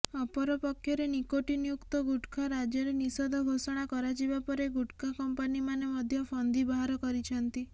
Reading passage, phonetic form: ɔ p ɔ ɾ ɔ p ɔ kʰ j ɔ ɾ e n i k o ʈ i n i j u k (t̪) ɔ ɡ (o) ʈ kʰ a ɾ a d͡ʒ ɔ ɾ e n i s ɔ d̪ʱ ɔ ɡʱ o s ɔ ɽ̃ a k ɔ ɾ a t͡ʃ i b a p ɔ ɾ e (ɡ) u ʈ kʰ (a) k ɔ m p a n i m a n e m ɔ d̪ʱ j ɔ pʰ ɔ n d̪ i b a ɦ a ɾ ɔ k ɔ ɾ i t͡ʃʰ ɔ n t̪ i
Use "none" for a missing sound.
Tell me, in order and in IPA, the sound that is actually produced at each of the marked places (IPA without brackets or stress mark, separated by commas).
t̪, u, ɡ, a